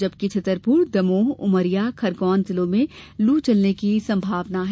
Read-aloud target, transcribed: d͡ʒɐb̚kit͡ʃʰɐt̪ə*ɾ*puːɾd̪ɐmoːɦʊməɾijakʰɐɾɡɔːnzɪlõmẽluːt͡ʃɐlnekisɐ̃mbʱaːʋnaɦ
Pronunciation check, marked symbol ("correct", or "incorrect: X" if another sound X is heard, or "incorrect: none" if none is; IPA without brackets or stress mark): correct